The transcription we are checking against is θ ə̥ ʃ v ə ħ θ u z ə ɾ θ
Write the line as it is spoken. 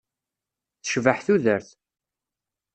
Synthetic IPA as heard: θ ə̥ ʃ v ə ħ θ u ð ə ɾ θ